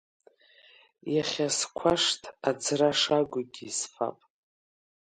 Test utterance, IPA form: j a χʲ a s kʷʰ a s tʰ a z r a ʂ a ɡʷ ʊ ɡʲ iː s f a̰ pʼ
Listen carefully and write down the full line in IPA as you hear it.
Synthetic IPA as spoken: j a χʲ a s kʷʰ a ʂ tʰ a d͡z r a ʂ a ɡʷ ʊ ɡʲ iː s f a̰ pʼ